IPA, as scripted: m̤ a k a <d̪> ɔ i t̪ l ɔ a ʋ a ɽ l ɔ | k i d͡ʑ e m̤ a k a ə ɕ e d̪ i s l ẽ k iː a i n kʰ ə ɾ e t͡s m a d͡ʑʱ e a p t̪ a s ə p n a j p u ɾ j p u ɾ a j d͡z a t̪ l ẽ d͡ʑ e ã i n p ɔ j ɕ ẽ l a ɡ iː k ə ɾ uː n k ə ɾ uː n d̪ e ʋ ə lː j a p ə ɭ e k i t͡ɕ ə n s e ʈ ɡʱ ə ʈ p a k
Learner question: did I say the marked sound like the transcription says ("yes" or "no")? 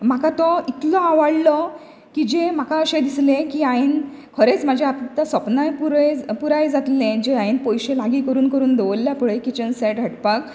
no